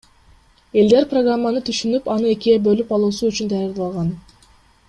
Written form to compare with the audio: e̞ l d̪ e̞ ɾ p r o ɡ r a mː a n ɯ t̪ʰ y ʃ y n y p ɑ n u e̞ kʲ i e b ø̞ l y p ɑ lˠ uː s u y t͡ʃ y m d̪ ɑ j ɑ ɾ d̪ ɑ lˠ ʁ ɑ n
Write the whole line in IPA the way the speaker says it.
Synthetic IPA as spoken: e̞ l d̪ e̞ ɾ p r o ɡ r a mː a n ɯ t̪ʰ y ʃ y n y p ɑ n ɯ e̞ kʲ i e b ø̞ l y p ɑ lˠ uː s u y t͡ʃ y n d̪ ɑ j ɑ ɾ d̪ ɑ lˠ ʁ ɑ n

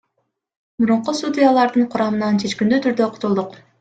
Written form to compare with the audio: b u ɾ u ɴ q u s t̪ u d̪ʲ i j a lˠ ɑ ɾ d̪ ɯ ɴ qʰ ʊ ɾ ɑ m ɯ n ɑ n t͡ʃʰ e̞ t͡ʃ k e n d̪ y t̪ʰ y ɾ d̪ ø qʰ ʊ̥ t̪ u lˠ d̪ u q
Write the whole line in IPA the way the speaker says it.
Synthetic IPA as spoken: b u ɾ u ɴ q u s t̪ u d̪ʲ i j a lˠ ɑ ɾ d̪ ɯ ɴ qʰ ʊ ɾ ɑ m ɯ n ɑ n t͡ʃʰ e̞ t͡ʃ k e n d̪ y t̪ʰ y ɾ d̪ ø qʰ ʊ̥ t̪ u lˠ d̪ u q

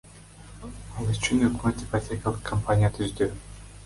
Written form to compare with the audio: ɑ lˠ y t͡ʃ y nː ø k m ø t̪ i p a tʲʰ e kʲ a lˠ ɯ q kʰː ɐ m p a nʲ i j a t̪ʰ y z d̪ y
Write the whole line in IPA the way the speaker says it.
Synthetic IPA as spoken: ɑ lˠ y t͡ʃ y n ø k m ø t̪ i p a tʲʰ e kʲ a lˠ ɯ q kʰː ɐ m p a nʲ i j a t̪ʰ y z d̪ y

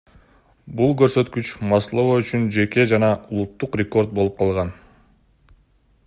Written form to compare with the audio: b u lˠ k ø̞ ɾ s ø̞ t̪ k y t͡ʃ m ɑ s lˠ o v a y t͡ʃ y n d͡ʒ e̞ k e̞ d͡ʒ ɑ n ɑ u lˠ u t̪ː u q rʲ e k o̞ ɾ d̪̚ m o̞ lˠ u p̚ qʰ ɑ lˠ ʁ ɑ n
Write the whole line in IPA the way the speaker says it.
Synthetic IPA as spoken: b u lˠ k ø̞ ɾ s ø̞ t̪ k y t͡ʃ m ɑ s lˠ o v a y t͡ʃ y n d͡ʒ e̞ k e̞ d͡ʒ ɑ n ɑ u lˠ u t̪ː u q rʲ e k o̞ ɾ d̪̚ b o̞ lˠ u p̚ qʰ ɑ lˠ ʁ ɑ n

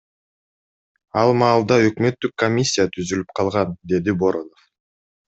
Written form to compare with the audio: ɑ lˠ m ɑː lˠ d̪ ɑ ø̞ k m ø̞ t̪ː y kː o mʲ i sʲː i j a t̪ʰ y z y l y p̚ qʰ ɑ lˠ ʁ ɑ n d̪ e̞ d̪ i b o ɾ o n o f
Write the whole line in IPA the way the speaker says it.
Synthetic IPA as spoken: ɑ lˠ m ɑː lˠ d̪ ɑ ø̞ k m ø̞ t̪ː y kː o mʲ i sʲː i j a t̪ʰ y z y l y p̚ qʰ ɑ lˠ ʁ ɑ n d̪ e̞ d̪ i b o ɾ o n o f

